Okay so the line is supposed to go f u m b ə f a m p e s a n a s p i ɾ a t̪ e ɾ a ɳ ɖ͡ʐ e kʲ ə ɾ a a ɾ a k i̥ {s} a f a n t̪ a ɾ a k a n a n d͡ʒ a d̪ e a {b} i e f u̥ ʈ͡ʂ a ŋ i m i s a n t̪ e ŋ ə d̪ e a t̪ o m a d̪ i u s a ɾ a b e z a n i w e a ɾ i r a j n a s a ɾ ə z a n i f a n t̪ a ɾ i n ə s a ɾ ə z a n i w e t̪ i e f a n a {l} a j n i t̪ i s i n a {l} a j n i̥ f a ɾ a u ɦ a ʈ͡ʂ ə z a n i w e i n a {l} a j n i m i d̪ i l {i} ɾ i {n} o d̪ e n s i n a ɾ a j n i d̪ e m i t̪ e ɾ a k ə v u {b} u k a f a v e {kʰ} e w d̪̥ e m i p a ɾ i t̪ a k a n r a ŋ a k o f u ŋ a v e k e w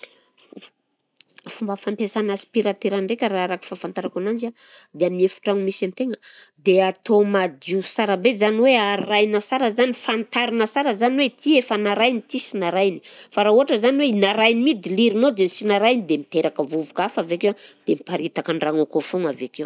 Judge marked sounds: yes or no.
no, no, no, no, no, yes, yes, no, no

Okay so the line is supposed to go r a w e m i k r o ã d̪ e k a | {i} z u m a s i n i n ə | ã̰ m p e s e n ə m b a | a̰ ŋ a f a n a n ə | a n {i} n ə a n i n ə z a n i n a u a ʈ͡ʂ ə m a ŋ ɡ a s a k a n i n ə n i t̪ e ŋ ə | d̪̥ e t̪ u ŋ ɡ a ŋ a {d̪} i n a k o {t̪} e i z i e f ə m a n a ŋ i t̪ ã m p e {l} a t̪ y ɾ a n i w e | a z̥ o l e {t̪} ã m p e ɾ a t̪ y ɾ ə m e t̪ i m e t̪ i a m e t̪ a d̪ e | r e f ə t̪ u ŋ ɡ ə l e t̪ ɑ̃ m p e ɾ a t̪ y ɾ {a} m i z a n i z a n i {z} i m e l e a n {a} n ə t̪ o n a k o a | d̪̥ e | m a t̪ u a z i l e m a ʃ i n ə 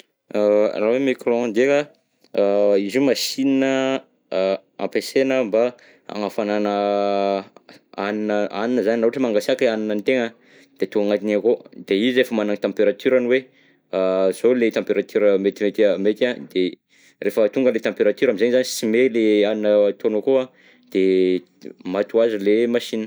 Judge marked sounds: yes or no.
yes, yes, no, no, no, yes, yes, no, no

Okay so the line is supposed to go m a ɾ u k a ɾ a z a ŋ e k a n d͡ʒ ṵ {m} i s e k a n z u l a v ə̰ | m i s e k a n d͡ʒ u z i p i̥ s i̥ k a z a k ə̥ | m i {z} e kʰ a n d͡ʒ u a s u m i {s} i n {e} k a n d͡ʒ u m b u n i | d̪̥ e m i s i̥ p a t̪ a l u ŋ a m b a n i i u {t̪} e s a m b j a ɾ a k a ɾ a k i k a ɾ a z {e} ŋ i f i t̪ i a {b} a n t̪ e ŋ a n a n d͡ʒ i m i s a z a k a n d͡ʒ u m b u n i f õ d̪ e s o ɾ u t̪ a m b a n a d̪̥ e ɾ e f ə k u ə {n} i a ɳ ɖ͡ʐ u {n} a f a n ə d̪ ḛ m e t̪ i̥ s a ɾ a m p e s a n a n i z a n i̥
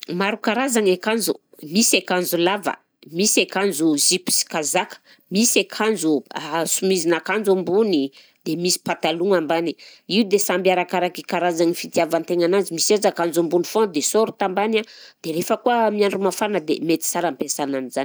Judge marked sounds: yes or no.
yes, no, no, no, no, no, no, no, no

